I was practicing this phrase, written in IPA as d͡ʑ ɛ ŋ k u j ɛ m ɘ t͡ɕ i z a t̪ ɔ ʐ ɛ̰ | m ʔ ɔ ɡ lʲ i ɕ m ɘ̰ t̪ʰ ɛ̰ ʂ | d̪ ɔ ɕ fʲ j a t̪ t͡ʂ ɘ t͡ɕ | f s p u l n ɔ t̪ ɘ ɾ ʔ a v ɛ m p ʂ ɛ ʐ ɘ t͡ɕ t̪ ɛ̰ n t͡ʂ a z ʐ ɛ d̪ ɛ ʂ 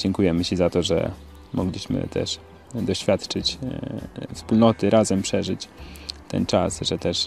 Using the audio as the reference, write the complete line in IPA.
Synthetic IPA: d͡ʑ ɛ ŋ k u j ɛ m ɘ t͡ɕ i z a t̪ ɔ ʐ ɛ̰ | m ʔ ɔ ɡ lʲ i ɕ m ɘ̰ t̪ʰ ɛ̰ ʂ | d̪ ɔ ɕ fʲ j a t̪ t͡ʂ ɘ t͡ɕ | f s p u l n ɔ t̪ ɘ ɾ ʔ a z ɛ m p ʂ ɛ ʐ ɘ t͡ɕ t̪ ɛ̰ n t͡ʂ a s ʐ ɛ t̪ ɛ ʂ